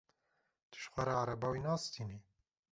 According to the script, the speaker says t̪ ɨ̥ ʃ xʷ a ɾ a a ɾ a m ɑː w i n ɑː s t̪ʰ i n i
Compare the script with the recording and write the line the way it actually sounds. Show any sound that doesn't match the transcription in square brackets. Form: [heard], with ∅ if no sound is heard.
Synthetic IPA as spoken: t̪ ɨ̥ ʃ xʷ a ɾ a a ɾ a [b] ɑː w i n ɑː s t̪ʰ i n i

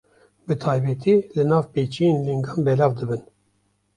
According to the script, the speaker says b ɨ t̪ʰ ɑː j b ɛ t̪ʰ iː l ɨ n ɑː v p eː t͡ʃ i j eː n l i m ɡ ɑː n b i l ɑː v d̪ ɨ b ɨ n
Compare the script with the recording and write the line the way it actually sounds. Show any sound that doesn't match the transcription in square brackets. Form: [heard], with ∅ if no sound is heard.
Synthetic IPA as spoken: b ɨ t̪ʰ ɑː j b ɛ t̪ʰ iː l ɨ n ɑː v p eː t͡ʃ i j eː n l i [ŋ] ɡ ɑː n b [ɛ] l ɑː v d̪ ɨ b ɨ n

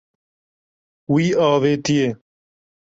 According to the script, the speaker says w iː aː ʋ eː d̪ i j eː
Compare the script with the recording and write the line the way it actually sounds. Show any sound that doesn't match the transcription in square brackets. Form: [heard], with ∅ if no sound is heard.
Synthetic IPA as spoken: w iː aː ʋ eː [t̪] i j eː

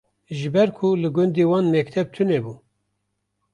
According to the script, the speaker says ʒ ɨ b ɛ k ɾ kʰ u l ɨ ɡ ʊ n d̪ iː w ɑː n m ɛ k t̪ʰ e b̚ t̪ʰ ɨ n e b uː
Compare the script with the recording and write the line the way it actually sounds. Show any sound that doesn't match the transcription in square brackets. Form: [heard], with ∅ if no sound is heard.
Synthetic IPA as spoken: ʒ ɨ b ɛ [∅] ɾ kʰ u l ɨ ɡ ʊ n d̪ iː w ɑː n m ɛ k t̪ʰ [ɛ] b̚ t̪ʰ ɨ n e b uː

